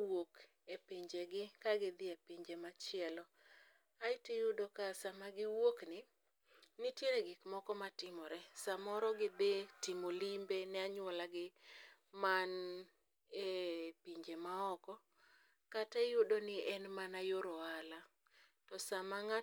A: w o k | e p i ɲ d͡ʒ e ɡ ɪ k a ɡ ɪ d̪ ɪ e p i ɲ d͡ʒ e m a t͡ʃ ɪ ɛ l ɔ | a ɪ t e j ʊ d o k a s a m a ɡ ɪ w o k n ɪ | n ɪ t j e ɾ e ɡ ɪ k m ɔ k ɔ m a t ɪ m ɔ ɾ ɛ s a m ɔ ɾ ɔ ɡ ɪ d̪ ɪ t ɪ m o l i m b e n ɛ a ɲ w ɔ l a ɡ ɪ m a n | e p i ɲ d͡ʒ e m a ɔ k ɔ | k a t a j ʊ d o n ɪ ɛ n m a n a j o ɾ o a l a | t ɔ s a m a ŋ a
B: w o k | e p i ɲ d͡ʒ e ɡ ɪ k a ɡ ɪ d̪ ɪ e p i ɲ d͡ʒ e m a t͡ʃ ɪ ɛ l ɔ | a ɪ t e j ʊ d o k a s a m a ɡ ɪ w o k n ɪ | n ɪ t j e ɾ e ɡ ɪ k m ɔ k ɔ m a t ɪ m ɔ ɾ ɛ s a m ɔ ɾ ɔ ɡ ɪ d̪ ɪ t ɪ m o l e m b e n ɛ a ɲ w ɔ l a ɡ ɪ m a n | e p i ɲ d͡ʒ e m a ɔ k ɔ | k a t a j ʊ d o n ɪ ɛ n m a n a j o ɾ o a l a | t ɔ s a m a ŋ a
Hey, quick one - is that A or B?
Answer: A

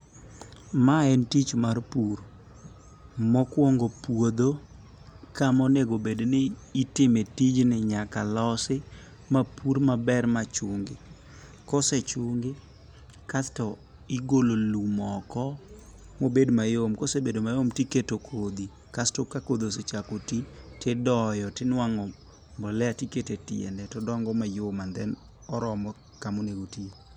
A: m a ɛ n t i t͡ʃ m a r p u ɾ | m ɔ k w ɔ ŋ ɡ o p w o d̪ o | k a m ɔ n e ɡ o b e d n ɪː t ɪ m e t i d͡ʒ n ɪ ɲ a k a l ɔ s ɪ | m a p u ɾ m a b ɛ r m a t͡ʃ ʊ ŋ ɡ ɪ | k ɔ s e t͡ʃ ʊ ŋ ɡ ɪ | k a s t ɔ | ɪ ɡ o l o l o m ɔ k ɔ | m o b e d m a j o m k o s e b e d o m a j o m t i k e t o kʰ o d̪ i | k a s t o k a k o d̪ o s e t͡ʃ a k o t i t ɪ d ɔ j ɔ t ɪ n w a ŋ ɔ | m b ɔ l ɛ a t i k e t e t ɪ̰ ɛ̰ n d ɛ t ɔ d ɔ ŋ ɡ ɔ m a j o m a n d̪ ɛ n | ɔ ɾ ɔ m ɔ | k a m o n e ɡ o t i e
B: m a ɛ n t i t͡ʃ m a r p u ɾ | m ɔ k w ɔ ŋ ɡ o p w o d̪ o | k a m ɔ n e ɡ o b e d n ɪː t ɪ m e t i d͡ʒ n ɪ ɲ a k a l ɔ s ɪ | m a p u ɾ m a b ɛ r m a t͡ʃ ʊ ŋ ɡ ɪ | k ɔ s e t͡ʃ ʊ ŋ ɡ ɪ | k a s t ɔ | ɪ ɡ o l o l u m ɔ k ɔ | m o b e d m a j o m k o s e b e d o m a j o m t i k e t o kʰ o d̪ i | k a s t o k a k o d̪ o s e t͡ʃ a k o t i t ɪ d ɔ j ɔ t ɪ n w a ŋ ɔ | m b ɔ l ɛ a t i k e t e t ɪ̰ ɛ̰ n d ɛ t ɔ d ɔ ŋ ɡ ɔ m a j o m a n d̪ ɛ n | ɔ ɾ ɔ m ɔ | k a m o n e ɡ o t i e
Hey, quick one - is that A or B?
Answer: B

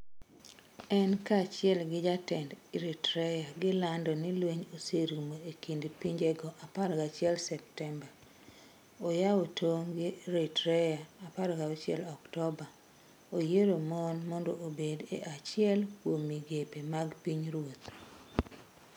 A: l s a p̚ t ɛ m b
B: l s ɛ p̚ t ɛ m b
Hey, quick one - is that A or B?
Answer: B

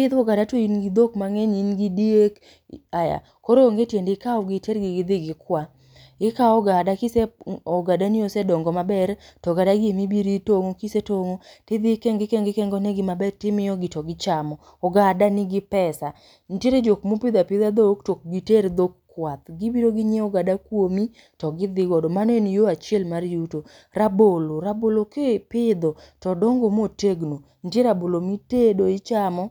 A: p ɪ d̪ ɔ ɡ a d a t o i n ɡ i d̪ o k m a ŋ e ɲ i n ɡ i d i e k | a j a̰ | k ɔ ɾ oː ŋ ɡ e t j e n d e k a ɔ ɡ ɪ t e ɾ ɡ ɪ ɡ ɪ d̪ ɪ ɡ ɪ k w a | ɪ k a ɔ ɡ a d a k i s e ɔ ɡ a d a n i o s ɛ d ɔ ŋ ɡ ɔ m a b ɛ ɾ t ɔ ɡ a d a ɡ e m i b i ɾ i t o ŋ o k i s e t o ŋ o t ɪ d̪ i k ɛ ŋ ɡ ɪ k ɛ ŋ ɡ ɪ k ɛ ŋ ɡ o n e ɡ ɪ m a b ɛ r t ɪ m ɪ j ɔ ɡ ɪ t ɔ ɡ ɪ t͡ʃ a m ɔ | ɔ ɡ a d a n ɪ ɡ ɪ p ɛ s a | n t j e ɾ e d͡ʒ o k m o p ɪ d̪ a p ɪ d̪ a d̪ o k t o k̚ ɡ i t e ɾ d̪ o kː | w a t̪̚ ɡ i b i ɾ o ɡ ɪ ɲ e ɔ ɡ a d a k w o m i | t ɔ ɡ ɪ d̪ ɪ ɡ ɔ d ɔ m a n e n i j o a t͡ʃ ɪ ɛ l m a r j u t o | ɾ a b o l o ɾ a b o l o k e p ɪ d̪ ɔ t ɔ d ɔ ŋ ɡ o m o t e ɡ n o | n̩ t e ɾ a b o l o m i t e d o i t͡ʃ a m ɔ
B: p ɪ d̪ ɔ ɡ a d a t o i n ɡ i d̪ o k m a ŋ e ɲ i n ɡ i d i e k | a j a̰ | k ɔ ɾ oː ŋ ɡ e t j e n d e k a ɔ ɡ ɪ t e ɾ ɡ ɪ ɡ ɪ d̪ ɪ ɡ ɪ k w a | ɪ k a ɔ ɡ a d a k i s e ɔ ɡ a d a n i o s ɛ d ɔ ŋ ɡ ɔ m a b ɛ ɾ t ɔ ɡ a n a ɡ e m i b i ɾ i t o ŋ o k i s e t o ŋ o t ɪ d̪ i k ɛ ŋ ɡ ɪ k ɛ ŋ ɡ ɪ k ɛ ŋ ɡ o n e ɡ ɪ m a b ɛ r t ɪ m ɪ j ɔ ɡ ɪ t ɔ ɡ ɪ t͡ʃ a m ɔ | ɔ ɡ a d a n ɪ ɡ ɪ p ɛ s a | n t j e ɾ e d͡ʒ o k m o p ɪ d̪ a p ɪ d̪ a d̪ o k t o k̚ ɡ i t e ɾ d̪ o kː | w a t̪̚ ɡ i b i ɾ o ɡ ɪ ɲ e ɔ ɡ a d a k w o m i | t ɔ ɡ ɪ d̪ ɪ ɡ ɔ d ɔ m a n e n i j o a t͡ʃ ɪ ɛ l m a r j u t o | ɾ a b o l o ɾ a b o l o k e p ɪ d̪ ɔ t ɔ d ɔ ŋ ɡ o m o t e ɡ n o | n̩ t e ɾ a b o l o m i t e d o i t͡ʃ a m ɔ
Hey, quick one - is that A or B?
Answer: A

